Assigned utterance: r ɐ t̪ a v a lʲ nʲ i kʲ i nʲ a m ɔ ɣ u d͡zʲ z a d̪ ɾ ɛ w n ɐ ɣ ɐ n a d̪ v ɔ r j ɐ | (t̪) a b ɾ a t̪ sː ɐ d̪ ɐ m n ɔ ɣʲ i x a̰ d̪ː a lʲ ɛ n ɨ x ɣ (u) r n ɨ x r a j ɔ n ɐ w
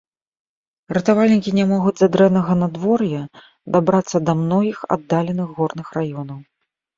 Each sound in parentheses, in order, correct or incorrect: incorrect: d̪, incorrect: ɔ

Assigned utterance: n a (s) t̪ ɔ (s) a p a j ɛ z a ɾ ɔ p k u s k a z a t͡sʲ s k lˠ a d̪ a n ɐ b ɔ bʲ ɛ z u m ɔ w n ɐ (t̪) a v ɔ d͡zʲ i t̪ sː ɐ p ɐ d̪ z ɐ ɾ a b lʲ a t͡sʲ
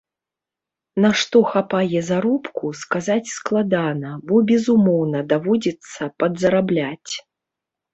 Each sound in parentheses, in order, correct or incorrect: incorrect: ʂ, incorrect: x, incorrect: d̪

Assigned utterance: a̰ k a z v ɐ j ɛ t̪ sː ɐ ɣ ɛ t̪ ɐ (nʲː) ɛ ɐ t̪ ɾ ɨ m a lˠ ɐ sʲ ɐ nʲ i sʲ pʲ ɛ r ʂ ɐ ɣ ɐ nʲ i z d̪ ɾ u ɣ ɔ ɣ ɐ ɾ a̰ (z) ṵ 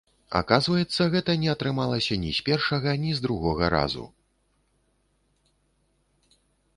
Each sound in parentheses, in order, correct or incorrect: incorrect: nʲ, correct

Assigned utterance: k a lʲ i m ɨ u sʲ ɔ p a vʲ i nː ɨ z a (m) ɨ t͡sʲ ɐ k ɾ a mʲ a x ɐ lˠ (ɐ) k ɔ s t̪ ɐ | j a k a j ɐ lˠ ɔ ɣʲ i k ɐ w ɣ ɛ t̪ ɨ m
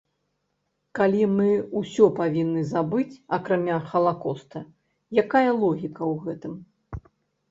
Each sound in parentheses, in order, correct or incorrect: incorrect: b, incorrect: a

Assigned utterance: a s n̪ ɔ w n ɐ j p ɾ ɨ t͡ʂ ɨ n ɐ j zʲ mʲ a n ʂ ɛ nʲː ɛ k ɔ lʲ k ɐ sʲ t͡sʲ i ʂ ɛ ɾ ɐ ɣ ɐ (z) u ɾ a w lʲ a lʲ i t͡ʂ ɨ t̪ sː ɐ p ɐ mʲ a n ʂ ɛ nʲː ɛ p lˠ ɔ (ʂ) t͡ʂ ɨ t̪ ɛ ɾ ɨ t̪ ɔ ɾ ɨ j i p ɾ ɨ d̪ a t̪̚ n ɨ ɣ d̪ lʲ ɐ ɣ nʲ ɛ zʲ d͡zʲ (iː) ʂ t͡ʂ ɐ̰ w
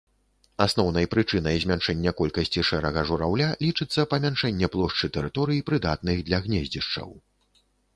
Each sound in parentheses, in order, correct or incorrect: incorrect: ʐ, correct, incorrect: i

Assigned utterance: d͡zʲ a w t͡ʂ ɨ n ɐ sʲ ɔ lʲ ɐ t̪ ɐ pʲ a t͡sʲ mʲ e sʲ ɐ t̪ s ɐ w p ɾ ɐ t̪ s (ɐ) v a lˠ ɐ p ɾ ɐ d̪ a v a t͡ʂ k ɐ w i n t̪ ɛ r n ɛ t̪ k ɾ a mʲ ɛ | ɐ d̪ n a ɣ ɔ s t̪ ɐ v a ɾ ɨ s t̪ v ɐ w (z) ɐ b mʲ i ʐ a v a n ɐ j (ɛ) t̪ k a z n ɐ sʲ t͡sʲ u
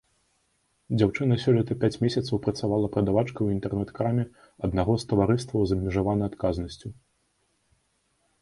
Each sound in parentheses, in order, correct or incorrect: incorrect: a, correct, incorrect: a

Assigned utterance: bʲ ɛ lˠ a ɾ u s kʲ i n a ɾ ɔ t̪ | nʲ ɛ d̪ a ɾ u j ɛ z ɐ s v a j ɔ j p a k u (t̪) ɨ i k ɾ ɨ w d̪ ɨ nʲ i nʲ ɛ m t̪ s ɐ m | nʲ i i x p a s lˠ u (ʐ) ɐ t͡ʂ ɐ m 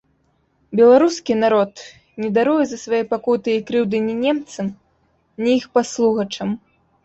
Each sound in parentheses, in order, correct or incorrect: correct, incorrect: ɣ

